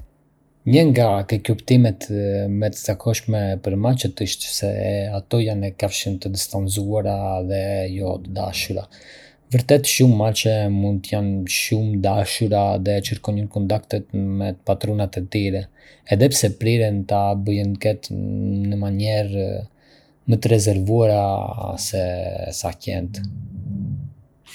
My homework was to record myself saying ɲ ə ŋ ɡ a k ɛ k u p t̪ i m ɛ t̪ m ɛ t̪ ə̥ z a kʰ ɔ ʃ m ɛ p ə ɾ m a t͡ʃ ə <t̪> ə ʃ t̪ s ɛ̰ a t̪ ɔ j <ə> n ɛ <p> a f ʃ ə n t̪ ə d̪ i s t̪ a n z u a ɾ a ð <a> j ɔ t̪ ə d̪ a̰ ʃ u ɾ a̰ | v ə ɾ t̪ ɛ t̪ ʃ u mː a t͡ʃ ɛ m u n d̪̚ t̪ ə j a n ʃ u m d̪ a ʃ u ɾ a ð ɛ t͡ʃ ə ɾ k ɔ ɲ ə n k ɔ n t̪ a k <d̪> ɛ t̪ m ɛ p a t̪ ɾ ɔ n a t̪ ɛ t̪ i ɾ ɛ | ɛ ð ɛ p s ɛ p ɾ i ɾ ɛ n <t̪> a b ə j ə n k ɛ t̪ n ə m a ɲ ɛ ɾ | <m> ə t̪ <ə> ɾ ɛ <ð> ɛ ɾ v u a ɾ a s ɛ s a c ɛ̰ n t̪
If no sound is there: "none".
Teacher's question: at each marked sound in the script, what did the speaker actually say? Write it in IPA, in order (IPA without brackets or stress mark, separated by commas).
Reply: t̪, a, k, ɛ, t̪, t̪, m, ə, z